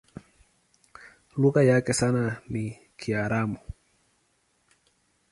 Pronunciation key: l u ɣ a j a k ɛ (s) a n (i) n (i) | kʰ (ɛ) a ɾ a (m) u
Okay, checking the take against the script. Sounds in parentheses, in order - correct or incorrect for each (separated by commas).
correct, incorrect, correct, incorrect, correct